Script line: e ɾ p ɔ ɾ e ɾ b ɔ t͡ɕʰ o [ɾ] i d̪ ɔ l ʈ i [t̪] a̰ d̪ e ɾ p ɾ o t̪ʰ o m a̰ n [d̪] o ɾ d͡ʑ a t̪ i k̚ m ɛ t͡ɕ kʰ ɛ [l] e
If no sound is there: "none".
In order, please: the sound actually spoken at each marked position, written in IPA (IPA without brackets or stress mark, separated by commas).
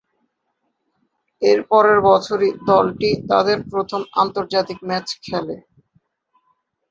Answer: ɾ, t̪, t̪, l